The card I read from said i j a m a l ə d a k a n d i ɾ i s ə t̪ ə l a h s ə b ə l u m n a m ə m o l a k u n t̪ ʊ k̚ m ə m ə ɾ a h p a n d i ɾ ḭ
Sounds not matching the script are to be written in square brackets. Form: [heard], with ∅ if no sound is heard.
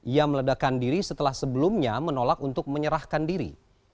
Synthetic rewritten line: i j a m [ə] l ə d a k a n d i ɾ i s ə t̪ ə l a h s ə b ə l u m [ɲ] a m ə [n] o l a k u n t̪ ʊ k̚ m ə [ɲ] ə ɾ a h [k] a n d i ɾ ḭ